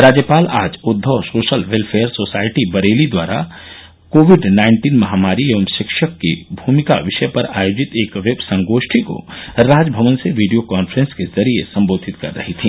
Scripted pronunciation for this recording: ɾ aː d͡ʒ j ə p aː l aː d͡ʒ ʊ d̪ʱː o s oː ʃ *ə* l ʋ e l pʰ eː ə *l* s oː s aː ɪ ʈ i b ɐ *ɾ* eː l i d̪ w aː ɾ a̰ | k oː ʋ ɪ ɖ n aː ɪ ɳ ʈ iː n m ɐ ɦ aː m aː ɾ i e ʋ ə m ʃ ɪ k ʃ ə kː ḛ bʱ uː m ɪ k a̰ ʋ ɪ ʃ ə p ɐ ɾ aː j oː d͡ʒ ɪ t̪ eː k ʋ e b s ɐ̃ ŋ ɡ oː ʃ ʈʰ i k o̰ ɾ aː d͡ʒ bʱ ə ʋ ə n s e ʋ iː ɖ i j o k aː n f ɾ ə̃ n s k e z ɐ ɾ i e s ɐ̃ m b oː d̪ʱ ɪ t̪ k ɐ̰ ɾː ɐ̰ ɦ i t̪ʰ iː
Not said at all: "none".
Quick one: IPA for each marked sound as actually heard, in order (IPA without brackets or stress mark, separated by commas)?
ə, ɾ, ɾ